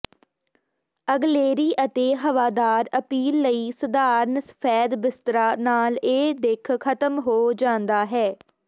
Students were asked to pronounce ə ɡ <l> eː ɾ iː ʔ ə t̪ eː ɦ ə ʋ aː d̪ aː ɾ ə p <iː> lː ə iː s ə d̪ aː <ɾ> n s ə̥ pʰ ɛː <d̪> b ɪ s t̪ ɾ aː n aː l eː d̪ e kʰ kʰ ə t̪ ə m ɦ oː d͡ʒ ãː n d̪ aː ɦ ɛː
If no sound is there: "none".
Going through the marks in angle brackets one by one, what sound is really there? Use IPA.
l, iː, ɾ, d̪

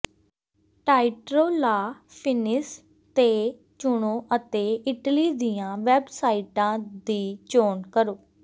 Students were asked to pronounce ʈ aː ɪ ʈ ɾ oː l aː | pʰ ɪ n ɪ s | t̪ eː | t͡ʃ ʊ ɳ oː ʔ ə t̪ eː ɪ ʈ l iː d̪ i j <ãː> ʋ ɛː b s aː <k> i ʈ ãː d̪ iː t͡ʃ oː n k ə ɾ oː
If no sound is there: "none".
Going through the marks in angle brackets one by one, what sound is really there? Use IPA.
ãː, none

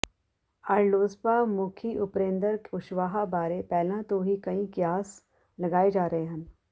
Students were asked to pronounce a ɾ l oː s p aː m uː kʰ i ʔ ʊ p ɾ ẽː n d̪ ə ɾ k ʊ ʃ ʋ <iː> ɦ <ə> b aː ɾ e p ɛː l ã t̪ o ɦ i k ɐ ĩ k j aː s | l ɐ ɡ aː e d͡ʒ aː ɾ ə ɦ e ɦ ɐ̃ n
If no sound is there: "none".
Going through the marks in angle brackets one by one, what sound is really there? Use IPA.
aː, a

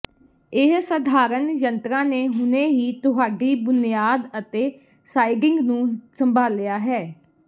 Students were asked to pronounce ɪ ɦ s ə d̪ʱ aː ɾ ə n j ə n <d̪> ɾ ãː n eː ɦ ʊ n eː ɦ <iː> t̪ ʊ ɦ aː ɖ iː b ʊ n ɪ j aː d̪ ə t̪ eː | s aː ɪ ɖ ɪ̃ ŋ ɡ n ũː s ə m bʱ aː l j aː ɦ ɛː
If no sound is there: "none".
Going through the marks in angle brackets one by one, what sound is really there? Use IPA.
t̪, iː

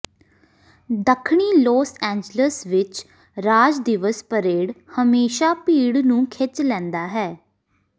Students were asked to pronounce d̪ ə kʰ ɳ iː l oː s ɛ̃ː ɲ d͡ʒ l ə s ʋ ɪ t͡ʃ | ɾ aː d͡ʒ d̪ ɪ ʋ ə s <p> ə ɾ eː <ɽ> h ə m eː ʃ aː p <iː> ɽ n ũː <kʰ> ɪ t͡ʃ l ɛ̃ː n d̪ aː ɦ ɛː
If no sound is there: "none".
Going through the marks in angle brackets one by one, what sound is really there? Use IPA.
p, ɽ, iː, kʰ

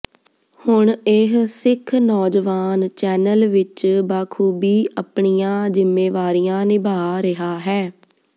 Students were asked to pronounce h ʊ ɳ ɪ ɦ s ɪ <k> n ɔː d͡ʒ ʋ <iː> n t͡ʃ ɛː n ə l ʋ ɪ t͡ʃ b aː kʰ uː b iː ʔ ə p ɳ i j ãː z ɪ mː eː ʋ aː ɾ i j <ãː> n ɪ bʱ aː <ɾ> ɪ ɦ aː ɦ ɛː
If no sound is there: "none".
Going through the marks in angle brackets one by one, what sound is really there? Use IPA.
kʰ, aː, ãː, ɾ

